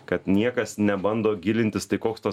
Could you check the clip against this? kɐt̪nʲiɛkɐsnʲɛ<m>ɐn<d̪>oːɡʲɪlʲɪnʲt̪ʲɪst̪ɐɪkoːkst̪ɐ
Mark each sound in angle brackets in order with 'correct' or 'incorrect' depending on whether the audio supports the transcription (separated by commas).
incorrect, correct